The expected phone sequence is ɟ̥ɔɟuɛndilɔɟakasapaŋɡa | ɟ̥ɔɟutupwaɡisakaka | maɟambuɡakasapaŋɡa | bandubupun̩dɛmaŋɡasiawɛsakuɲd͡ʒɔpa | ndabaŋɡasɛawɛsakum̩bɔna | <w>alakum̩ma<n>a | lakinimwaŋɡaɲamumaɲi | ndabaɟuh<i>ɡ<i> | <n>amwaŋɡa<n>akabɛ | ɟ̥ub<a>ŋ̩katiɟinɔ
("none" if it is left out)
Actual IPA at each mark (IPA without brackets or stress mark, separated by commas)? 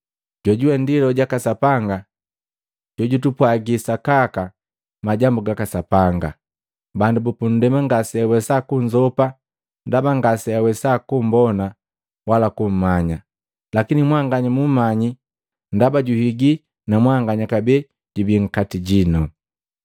w, ɲ, i, i, n, ɲ, i